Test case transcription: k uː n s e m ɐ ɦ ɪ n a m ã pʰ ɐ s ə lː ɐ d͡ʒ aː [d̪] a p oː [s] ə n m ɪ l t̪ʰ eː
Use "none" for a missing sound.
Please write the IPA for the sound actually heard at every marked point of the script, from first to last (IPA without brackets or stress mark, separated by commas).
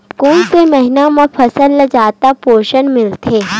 t̪, ʃ